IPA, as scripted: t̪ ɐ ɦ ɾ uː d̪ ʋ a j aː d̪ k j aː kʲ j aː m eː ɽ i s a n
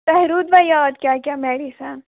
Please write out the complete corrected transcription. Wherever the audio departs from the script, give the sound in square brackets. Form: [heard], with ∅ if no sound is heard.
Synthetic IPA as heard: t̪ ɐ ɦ ɾ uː d̪ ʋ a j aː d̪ k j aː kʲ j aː m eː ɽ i s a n